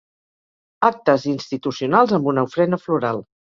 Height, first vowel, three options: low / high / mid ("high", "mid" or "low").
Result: low